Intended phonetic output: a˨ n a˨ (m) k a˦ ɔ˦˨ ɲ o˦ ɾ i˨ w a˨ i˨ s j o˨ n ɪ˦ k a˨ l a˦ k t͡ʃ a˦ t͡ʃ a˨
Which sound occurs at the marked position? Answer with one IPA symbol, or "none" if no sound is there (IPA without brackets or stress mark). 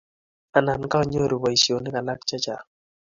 n